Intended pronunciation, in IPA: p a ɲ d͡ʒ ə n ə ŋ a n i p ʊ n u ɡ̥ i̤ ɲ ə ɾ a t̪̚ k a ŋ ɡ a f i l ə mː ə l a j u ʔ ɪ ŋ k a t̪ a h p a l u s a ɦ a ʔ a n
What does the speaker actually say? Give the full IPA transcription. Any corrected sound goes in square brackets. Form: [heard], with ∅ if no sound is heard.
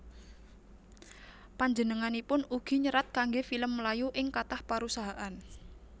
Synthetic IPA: p a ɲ d͡ʒ ə n ə ŋ a n i p ʊ n u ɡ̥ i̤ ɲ ə ɾ a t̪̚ k a ŋ ɡ [e] f i l ə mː ə l a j u ʔ ɪ ŋ k a t̪ a h p a [ɾ] u s a ɦ a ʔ a n